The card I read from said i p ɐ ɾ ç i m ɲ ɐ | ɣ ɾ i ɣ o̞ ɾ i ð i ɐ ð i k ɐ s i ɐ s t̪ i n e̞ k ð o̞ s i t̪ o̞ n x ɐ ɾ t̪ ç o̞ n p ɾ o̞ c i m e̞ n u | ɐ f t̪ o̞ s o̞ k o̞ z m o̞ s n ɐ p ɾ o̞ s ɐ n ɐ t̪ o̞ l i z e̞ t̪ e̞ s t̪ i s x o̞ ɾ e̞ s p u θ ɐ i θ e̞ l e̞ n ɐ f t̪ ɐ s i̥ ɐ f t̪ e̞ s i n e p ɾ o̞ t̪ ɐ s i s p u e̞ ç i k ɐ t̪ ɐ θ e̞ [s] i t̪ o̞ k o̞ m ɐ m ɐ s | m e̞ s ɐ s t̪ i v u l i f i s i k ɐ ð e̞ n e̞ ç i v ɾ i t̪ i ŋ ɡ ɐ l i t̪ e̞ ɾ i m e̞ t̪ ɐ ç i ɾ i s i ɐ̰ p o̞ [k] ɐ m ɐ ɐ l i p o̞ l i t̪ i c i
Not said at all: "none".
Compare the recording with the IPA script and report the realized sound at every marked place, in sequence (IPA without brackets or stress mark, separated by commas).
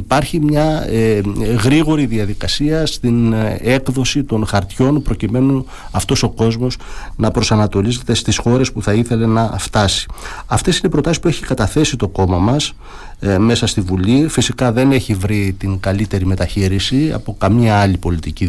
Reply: s, k